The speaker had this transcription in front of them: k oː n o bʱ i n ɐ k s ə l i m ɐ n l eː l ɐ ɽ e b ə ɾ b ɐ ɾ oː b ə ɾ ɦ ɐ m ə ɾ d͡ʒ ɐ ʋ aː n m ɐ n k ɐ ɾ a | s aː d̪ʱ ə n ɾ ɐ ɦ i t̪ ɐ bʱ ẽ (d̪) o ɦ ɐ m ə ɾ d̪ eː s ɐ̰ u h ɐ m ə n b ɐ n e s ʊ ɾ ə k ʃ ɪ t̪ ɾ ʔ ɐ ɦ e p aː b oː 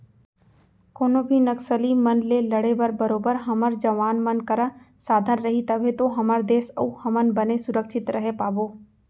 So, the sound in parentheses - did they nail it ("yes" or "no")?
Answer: no